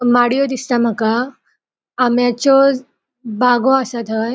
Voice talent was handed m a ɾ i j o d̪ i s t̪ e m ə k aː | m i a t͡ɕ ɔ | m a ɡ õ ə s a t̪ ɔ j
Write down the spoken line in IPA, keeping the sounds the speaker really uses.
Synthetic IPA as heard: m a ɽ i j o d̪ i s t̪ a m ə k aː | m j a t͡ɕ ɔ | b a ɡ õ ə s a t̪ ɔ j